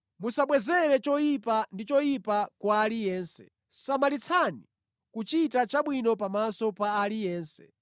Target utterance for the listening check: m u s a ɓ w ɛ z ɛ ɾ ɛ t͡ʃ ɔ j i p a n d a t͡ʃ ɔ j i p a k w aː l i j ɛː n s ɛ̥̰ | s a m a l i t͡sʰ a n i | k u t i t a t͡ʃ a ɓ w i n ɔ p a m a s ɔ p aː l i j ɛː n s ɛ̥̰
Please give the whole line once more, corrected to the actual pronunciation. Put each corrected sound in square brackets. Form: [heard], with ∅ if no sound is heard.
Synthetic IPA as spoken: m u s a ɓ w ɛ z ɛ ɾ ɛ t͡ʃ ɔ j i p a n d [i] t͡ʃ ɔ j i p a k w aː l i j ɛː n s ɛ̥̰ | s a m a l i t͡sʰ a n i | k u [t͡ʃ] i t a t͡ʃ a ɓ w i n ɔ p a m a s ɔ p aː l i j ɛː n s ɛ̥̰